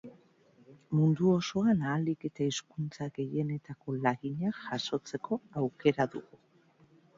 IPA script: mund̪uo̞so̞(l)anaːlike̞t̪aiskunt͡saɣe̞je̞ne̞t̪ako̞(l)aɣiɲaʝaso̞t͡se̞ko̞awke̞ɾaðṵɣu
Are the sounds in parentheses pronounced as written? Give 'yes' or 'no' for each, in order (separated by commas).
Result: no, yes